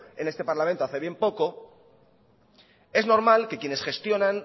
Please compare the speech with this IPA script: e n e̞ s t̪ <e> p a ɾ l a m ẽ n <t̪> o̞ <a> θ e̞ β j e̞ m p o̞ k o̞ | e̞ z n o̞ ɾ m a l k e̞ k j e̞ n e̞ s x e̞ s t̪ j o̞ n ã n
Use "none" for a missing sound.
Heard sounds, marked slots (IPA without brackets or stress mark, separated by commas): e, t̪, a